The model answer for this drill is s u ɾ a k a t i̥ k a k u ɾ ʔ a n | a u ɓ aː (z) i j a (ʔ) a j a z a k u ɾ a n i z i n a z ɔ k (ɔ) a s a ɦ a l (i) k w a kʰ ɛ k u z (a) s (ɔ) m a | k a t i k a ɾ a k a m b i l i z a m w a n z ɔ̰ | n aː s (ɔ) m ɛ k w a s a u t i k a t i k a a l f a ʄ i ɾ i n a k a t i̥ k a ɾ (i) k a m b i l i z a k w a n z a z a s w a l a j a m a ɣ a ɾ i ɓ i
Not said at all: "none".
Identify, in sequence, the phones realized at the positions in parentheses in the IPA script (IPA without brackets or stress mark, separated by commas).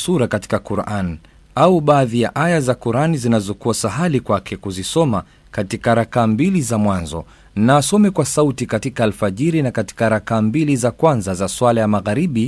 ð, ʔ, u, i, i, ɔ, ɔ, a